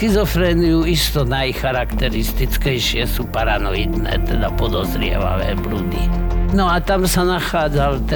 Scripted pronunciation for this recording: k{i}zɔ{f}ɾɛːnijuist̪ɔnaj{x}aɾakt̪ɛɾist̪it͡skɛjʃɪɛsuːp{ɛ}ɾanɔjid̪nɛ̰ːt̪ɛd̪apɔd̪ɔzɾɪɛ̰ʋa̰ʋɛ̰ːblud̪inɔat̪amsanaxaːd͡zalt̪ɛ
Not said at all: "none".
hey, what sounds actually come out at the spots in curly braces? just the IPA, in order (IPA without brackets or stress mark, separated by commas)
i, f, x, a